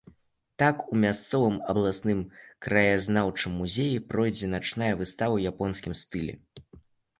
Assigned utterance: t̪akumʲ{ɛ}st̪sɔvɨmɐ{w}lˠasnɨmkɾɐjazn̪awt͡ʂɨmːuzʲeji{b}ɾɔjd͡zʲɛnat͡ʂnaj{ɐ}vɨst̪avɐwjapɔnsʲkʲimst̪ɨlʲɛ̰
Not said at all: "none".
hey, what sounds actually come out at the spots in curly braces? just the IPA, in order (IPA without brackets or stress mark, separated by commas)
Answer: a, b, p, ɐ